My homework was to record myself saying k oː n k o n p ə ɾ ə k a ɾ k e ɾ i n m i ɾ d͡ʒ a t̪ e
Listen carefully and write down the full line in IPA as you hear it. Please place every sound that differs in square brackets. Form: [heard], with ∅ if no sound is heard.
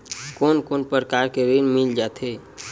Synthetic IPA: k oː n k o n p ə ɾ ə k a ɾ k e ɾ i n m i [l] d͡ʒ a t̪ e